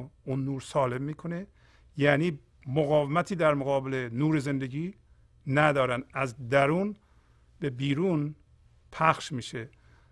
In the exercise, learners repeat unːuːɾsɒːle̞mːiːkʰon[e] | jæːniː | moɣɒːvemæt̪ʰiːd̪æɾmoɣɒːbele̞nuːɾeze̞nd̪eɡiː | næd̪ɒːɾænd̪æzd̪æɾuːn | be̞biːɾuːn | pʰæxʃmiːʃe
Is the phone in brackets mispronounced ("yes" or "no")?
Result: no